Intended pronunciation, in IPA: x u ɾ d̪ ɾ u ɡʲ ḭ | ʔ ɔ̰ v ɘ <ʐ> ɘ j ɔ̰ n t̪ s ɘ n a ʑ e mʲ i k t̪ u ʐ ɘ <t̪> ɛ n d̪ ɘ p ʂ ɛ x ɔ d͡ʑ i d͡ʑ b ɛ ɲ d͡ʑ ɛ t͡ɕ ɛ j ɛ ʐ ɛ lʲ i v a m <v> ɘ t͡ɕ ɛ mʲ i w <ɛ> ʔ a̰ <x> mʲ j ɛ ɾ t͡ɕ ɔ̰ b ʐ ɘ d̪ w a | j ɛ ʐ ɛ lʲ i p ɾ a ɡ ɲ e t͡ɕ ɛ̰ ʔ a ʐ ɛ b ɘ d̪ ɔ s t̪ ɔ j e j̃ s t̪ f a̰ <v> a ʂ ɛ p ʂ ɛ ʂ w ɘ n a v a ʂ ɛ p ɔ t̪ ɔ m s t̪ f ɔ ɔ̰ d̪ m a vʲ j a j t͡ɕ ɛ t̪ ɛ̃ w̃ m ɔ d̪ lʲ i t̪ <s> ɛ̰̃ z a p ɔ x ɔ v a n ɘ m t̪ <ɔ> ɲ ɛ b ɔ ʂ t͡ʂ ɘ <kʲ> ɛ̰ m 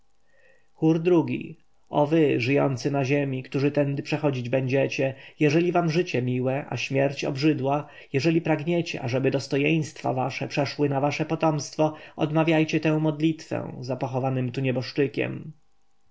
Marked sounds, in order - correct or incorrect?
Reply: correct, correct, incorrect: ʐ, correct, incorrect: ɕ, correct, incorrect: f, incorrect: u, correct

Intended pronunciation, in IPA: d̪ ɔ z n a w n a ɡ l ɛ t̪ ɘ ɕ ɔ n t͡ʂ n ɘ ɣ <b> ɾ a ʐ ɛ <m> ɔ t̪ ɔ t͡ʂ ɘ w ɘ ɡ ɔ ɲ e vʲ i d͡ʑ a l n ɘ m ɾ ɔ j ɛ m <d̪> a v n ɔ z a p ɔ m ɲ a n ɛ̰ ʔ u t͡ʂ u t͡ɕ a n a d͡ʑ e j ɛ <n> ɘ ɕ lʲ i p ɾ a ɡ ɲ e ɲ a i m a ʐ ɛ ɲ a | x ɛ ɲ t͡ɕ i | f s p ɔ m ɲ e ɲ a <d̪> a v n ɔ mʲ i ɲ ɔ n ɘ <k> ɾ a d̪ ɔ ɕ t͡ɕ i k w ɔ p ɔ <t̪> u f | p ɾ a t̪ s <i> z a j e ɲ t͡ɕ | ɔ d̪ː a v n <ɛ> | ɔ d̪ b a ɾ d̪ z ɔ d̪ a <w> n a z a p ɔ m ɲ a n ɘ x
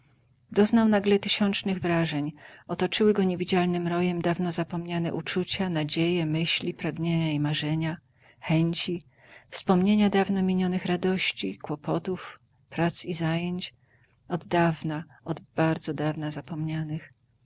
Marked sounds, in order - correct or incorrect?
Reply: incorrect: v, incorrect: ɲ, correct, incorrect: m, correct, incorrect: x, correct, correct, incorrect: a, incorrect: v

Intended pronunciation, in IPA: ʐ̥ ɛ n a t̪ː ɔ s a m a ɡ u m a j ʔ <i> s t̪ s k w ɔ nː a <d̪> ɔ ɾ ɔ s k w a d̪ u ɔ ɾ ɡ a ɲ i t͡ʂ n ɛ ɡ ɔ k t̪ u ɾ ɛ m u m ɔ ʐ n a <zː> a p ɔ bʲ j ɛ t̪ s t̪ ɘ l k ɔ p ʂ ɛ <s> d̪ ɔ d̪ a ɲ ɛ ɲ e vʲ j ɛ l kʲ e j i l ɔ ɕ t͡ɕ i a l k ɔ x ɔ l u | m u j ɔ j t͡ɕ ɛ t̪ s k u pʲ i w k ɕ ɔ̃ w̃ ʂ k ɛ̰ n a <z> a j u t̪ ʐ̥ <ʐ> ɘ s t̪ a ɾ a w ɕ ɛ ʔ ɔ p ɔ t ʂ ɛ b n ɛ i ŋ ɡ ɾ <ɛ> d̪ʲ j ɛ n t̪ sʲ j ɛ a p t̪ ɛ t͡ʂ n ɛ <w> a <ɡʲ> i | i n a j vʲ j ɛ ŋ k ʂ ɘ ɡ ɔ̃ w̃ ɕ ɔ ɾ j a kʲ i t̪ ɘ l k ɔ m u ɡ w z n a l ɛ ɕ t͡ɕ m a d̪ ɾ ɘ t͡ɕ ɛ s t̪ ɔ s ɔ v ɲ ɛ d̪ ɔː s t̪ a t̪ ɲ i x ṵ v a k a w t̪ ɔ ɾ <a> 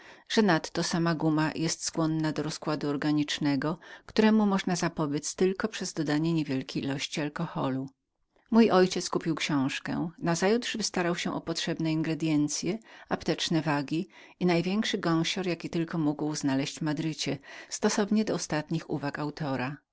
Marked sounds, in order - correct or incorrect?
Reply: incorrect: ɛ, correct, incorrect: z, incorrect: z, correct, incorrect: v, correct, incorrect: v, correct, correct

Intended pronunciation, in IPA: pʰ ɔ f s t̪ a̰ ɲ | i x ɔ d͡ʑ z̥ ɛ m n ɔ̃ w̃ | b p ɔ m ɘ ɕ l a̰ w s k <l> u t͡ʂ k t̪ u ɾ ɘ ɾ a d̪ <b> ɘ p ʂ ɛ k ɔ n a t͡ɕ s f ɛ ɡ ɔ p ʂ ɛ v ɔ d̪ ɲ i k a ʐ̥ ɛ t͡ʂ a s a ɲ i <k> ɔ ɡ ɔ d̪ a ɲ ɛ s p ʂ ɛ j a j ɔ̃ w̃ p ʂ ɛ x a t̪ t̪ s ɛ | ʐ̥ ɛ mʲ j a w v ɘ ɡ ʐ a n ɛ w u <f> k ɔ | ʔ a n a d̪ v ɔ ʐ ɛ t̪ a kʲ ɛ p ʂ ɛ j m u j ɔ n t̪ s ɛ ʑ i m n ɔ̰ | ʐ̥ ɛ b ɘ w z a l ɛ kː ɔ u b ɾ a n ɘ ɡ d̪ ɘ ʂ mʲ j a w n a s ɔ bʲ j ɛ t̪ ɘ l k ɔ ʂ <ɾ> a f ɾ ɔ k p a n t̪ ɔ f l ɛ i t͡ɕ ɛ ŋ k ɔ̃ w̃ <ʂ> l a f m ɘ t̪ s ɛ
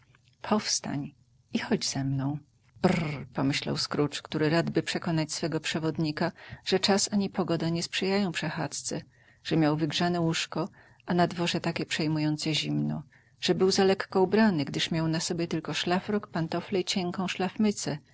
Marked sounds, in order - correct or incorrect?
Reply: incorrect: ɾ, correct, incorrect: p, incorrect: ʂ, incorrect: l, correct

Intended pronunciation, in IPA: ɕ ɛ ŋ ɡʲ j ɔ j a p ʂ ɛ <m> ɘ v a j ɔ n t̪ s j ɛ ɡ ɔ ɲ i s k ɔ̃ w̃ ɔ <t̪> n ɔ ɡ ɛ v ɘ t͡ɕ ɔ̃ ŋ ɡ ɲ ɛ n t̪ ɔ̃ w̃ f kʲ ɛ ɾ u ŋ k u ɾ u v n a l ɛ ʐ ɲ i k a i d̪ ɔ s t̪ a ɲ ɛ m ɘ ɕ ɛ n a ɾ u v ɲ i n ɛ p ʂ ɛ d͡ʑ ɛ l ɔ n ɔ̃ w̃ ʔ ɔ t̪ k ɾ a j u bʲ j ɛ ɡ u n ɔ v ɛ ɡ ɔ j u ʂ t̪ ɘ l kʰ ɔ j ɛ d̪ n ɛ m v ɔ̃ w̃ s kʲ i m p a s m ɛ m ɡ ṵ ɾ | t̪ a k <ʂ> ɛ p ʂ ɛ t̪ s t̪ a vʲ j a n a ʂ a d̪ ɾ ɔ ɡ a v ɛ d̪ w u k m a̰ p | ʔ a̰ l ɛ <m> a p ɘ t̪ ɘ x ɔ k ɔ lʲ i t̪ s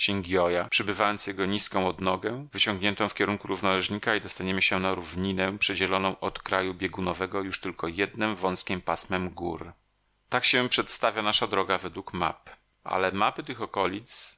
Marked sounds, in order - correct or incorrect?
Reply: incorrect: b, incorrect: d̪, incorrect: ɕ, correct

